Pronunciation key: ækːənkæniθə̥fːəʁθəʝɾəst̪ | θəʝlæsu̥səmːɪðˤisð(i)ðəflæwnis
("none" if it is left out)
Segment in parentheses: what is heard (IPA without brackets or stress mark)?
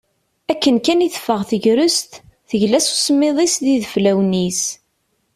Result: i